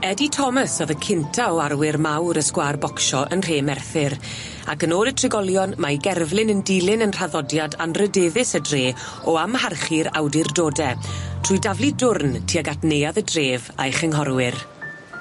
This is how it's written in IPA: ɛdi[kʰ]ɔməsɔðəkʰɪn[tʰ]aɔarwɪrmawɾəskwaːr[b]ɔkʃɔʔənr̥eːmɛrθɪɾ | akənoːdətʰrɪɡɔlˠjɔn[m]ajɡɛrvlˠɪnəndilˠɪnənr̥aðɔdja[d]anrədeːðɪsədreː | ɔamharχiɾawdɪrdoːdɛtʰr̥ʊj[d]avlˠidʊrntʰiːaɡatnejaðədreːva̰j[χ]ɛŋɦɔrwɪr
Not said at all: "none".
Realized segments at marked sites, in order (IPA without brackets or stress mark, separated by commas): tʰ, tʰ, b, m, d, d, χ